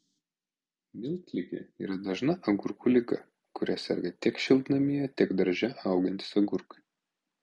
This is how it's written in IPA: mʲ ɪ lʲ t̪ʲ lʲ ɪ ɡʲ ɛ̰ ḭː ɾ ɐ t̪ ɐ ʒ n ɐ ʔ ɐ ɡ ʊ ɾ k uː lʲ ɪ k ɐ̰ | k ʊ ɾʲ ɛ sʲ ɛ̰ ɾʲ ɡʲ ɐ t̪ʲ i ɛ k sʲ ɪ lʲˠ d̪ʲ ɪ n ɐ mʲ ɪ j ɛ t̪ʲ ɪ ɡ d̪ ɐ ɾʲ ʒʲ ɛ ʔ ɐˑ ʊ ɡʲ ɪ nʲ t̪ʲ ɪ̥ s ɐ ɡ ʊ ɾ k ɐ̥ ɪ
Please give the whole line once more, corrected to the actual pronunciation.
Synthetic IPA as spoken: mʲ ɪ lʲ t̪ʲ lʲ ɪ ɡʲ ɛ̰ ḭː ɾ ɐ d̪ ɐ ʒ n ɐ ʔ ɐ ɡ ʊ ɾ k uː lʲ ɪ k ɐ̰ | k ʊ ɾʲ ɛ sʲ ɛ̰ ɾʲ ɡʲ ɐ t̪ʲ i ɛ k ʃʲ ɪ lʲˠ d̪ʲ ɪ n ɐ mʲ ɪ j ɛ t̪ʲ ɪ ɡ d̪ ɐ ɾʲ ʒʲ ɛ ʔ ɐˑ ʊ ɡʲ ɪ nʲ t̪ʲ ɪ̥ s ɐ ɡ ʊ ɾ k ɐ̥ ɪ

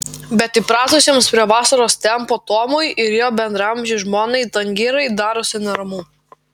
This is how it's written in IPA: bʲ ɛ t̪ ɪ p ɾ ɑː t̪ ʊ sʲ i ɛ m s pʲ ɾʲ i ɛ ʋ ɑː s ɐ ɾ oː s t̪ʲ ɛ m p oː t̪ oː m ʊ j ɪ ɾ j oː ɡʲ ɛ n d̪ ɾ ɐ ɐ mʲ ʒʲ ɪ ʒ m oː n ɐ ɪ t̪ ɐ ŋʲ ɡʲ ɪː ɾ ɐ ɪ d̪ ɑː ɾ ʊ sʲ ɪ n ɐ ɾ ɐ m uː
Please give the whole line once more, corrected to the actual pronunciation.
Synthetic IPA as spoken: bʲ ɛ t̪ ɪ p ɾ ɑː t̪ ʊ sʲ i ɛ m s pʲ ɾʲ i ɛ ʋ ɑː s ɐ ɾ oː s t̪ʲ ɛ m p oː t̪ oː m ʊ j ɪ ɾ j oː bʲ ɛ n d̪ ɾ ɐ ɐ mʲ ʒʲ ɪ ʒ m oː n ɐ ɪ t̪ ɐ ŋʲ ɡʲ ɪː ɾ ɐ ɪ d̪ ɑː ɾ ʊ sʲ ɪ n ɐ ɾ ɐ m uː

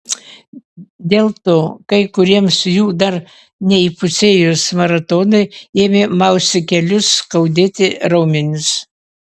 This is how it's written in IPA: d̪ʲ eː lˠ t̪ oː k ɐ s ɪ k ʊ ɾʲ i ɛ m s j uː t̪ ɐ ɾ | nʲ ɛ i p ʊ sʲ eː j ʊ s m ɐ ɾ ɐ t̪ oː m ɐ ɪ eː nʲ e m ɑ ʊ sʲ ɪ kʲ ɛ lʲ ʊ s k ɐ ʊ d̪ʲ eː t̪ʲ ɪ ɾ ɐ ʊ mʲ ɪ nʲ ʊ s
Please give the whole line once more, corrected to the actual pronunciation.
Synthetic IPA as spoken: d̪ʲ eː lˠ t̪ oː k ɐ ɪ k ʊ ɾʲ i ɛ m s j uː d̪ ɐ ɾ | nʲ ɛ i p ʊ sʲ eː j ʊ s m ɐ ɾ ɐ t̪ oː n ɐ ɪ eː mʲ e m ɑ ʊ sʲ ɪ kʲ ɛ lʲ ʊ s k ɐ ʊ d̪ʲ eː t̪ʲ ɪ ɾ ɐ ʊ mʲ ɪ nʲ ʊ s

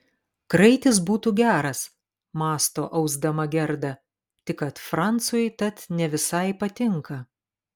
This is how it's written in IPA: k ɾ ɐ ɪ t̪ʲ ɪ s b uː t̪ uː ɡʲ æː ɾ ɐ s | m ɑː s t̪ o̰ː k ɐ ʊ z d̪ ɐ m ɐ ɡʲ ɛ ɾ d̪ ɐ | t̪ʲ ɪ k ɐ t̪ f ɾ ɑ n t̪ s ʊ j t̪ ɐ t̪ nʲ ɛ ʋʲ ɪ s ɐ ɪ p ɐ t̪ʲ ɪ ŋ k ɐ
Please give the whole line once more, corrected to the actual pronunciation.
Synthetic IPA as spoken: k ɾ ɐ ɪ t̪ʲ ɪ s b uː t̪ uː ɡʲ æː ɾ ɐ s | m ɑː s t̪ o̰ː ʔ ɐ ʊ z d̪ ɐ m ɐ ɡʲ ɛ ɾ d̪ ɐ | t̪ʲ ɪ k ɐ t̪ f ɾ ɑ n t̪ s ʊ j t̪ ɐ t̪ nʲ ɛ ʋʲ ɪ s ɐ ɪ p ɐ t̪ʲ ɪ ŋ k ɐ

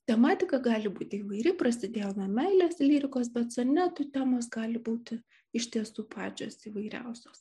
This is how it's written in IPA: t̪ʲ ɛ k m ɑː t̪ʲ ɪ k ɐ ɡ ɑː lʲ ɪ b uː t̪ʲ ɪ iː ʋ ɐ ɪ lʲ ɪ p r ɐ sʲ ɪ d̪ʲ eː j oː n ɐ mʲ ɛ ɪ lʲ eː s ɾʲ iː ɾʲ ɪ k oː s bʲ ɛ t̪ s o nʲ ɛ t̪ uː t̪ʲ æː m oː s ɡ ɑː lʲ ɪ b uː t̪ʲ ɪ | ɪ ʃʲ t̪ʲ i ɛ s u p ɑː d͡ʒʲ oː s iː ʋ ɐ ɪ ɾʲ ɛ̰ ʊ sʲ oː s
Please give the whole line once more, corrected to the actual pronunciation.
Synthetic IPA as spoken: t̪ʲ ɛ m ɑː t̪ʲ ɪ k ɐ ɡ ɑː lʲ ɪ b uː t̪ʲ ɪ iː ʋ ɐ ɪ ɾʲ ɪ p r ɐ sʲ ɪ d̪ʲ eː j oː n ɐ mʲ ɛ ɪ lʲ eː s lʲ iː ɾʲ ɪ k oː s bʲ ɛ t̪ s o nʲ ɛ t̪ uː t̪ʲ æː m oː s ɡ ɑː lʲ ɪ b uː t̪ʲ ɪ | ɪ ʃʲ t̪ʲ i ɛ s uː p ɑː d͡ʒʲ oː s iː ʋ ɐ ɪ ɾʲ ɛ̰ ʊ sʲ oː s

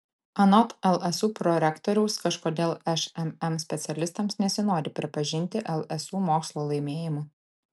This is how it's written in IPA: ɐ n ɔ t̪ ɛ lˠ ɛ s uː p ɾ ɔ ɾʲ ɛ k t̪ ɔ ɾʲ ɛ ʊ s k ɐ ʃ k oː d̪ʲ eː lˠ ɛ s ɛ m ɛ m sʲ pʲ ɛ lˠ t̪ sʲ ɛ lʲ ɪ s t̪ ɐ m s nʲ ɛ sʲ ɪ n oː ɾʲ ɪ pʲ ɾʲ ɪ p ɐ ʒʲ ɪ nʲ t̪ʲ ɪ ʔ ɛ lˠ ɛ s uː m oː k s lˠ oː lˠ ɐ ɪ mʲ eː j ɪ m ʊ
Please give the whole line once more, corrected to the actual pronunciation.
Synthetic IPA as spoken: ɐ n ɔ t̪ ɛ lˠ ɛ s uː p ɾ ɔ ɾʲ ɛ k t̪ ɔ ɾʲ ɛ ʊ s k ɐ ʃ k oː d̪ʲ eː lˠ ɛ ʃ ɛ m ɛ m sʲ pʲ ɛ t̪ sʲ ɛ lʲ ɪ s t̪ ɐ m s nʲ ɛ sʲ ɪ n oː ɾʲ ɪ pʲ ɾʲ ɪ p ɐ ʒʲ ɪ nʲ t̪ʲ ɪ ʔ ɛ lˠ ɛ s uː m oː k s lˠ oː lˠ ɐ ɪ mʲ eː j ɪ m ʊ

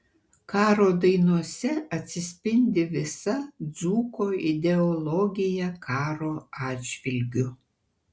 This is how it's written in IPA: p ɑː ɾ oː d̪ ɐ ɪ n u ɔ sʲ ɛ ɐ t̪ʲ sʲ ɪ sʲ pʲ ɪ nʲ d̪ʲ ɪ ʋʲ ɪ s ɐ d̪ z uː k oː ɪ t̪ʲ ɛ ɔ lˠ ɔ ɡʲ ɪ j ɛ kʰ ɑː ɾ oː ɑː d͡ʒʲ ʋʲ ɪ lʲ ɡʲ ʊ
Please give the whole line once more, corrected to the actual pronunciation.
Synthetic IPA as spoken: k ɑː ɾ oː d̪ ɐ ɪ n u ɔ sʲ ɛ ɐ t̪ʲ sʲ ɪ sʲ pʲ ɪ nʲ d̪ʲ ɪ ʋʲ ɪ s ɐ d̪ z uː k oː ɪ d̪ʲ ɛ ɔ lˠ ɔ ɡʲ ɪ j ɛ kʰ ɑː ɾ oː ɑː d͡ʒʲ ʋʲ ɪ lʲ ɡʲ ʊ

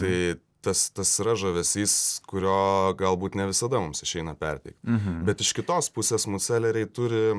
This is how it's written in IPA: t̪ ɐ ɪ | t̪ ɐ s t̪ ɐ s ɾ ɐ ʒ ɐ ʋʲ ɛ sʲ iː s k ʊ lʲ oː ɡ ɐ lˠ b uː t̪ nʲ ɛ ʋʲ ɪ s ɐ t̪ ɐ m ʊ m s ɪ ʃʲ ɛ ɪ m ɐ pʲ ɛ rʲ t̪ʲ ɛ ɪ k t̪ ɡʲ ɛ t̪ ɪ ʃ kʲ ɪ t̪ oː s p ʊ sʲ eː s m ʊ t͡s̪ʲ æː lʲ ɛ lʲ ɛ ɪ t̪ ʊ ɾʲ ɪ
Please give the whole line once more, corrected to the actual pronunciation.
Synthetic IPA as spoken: t̪ ɐ ɪ | t̪ ɐ s t̪ ɐ s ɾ ɐ ʒ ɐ ʋʲ ɛ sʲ iː s k ʊ ɾʲ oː ɡ ɐ lˠ b uː t̪ nʲ ɛ ʋʲ ɪ s ɐ d̪ ɐ m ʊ m s ɪ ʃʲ ɛ ɪ n ɐ pʲ ɛ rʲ t̪ʲ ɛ ɪ k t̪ bʲ ɛ t̪ ɪ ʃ kʲ ɪ t̪ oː s p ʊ sʲ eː s m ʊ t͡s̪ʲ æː lʲ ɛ ɾʲ ɛ ɪ t̪ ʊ ɾʲ ɪ

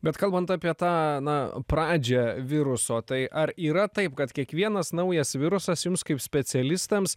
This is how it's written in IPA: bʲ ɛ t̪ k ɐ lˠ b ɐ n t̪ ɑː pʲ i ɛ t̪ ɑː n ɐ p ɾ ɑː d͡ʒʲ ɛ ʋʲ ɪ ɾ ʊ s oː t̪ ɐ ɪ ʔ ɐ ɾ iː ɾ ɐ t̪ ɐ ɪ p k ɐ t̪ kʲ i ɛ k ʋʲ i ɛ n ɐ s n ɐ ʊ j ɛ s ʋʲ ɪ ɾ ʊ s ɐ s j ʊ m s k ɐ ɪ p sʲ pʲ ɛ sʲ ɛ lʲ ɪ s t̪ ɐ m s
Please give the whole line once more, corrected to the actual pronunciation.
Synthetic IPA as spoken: bʲ ɛ t̪ k ɐ lˠ b ɐ n t̪ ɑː pʲ i ɛ t̪ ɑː n ɐ p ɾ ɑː d͡ʒʲ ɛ ʋʲ ɪ ɾ ʊ s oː t̪ ɐ ɪ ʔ ɐ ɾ iː ɾ ɐ t̪ ɐ ɪ p k ɐ t̪ kʲ i ɛ k ʋʲ i ɛ n ɐ s n ɐ ʊ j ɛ s ʋʲ ɪ ɾ ʊ s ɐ s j ʊ m s k ɐ ɪ p sʲ pʲ ɛ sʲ ɛ lʲ ɪ s t̪ ɐ m s

